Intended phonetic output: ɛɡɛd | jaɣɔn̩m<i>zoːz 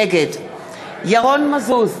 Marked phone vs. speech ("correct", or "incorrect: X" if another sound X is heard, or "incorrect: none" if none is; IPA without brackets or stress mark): incorrect: a